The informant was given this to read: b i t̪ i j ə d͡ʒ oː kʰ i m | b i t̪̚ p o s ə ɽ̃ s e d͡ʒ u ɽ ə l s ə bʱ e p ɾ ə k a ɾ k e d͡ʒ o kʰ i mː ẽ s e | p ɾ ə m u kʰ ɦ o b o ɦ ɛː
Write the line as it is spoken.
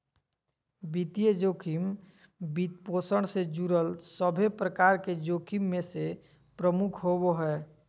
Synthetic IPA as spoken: b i t̪ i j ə d͡ʒ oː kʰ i m | b i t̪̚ p o s ə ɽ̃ s e d͡ʒ u ɾ ə l s ə bʱ e p ɾ ə k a ɾ k e d͡ʒ o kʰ i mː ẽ s e | p ɾ ə m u kʰ ɦ o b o ɦ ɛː